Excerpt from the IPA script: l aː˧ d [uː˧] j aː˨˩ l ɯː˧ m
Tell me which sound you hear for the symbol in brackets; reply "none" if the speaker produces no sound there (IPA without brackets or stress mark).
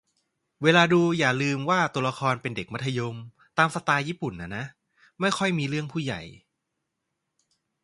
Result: uː˧